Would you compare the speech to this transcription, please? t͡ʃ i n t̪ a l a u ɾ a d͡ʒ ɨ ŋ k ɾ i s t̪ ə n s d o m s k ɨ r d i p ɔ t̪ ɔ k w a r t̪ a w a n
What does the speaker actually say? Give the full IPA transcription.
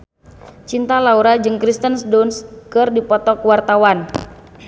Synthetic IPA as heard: t͡ʃ i n t̪ a l a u ɾ a d͡ʒ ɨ ŋ k ɾ i s t̪ ə n s d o n s k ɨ r d i p ɔ t̪ ɔ k w a r t̪ a w a n